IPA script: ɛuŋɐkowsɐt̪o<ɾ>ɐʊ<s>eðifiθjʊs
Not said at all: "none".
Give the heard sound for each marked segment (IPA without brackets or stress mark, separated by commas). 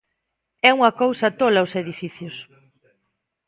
l, s